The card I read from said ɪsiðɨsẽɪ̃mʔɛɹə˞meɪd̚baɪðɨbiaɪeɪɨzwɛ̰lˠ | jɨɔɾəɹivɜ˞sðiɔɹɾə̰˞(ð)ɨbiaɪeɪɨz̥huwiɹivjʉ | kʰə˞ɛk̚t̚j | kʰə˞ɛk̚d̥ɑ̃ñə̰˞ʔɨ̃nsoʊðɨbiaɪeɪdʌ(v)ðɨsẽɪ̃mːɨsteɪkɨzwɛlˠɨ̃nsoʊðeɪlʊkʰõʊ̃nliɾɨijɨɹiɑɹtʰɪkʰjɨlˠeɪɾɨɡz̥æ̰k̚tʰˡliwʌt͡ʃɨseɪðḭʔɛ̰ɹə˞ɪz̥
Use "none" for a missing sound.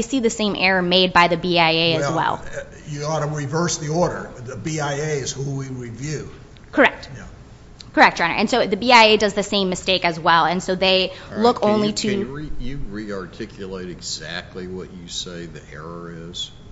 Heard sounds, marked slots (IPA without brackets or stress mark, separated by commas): ð, z